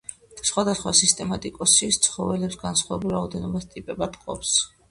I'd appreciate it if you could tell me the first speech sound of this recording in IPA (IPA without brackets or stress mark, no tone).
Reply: s